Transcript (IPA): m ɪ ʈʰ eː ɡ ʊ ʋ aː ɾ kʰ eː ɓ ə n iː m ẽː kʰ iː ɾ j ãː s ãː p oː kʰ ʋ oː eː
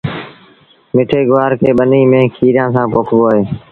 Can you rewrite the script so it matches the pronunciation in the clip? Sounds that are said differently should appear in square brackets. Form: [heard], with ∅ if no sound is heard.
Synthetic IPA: m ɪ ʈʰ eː ɡ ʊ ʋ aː ɾ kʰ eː ɓ ə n iː m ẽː kʰ iː ɾ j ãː s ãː p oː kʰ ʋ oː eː